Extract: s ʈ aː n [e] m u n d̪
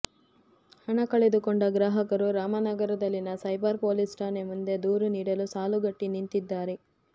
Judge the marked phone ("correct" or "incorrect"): correct